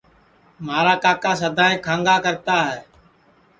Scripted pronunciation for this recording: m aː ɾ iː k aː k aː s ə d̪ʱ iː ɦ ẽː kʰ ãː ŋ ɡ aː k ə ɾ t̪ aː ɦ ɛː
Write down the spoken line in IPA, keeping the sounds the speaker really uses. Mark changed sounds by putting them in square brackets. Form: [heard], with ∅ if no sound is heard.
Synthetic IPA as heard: m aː ɾ [aː] k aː k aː s ə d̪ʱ [aː] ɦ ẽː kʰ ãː ŋ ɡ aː k ə ɾ t̪ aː ɦ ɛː